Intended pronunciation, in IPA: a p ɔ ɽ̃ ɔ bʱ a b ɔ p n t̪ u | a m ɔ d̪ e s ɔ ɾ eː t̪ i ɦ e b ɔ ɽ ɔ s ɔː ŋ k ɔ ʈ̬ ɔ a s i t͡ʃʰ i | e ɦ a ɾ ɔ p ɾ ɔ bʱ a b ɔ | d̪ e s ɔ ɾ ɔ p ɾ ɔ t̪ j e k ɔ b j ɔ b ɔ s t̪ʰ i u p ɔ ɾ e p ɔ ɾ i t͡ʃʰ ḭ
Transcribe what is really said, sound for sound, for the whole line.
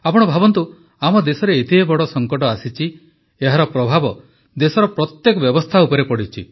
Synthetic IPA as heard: a p ɔ ɽ̃ ɔ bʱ a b ɔ n t̪ u | a m ɔ d̪ e s ɔ ɾ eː t̪ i ɦ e b ɔ ɽ ɔ s ɔ ŋ k ɔ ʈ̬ ɔ a s i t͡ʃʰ i | e ɦ a ɾ ɔ p ɾ ɔ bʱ a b ɔ | d̪ e s ɔ ɾ ɔ p ɾ ɔ t̪ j e k ɔ b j ɔ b ɔ s t̪ʰ a u p ɔ ɾ e p ɔ ɽ i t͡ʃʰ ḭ